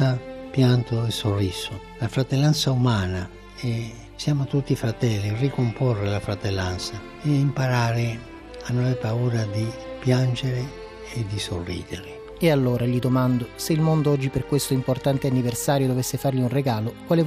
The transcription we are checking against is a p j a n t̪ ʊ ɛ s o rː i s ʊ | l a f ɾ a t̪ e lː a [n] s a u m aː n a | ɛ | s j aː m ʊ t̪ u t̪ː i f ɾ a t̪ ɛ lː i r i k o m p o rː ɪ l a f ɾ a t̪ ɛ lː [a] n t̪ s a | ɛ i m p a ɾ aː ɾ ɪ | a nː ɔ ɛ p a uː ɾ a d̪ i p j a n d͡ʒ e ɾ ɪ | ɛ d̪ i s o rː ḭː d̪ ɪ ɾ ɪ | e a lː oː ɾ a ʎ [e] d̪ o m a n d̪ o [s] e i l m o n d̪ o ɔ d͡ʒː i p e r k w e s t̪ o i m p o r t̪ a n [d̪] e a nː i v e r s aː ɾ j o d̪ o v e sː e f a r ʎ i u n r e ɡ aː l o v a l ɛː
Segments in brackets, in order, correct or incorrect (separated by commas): correct, correct, incorrect, correct, incorrect